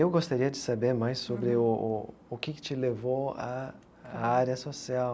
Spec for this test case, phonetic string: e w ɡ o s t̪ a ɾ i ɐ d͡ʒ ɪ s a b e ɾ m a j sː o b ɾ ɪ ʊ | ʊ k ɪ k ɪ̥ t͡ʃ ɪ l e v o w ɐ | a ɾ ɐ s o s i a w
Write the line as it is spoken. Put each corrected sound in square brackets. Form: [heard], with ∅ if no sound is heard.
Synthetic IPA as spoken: e w ɡ o s t̪ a ɾ i ɐ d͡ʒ ɪ s a b e ɾ m a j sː o b ɾ ɪ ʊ | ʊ k ɪ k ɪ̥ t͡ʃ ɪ l e v o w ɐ | a ɾ ɐ s o s i a w